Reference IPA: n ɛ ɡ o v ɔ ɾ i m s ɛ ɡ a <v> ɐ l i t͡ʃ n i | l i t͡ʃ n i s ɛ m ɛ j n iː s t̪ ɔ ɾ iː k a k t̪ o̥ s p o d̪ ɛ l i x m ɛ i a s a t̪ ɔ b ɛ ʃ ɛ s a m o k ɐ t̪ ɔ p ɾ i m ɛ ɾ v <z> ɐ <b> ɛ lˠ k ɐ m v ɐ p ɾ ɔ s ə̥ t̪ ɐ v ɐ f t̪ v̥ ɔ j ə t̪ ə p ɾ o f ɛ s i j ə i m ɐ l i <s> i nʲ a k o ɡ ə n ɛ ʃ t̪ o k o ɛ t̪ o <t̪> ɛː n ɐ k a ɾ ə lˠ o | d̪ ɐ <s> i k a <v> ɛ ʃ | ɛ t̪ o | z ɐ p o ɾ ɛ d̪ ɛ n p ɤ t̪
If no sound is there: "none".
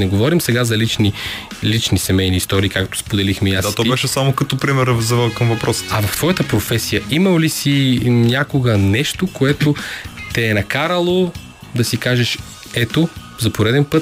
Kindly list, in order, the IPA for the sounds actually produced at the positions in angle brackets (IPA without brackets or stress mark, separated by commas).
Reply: z, z, v, s, t̪, s, ʒ